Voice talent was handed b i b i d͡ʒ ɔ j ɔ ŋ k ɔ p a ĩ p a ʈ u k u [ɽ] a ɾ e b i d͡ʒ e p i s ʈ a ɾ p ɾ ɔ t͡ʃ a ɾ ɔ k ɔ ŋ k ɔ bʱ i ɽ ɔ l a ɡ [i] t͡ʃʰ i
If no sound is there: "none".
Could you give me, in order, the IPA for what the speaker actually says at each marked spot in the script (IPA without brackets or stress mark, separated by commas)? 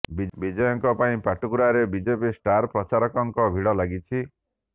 ɾ, i